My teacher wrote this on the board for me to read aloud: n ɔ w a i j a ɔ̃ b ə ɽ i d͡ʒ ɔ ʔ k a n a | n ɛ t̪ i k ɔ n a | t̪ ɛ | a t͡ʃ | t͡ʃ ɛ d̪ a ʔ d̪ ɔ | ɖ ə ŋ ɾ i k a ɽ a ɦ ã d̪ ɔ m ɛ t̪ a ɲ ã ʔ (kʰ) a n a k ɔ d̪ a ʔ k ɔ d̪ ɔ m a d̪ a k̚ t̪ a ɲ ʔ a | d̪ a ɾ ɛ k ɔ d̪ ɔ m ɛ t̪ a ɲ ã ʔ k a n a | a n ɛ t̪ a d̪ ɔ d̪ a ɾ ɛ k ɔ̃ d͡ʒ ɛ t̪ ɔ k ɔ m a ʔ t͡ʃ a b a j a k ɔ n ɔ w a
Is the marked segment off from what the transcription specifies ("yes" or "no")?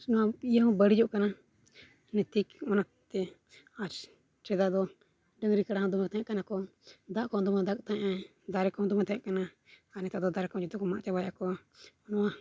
yes